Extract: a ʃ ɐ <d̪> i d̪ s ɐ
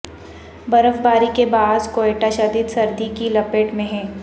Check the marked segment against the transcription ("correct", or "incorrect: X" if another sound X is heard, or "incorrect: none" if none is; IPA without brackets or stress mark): correct